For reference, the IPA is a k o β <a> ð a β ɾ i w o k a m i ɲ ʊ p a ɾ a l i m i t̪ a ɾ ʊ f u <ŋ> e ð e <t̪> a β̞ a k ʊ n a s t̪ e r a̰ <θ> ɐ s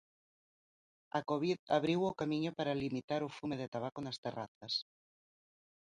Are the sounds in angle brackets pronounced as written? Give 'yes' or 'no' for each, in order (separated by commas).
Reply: no, no, yes, yes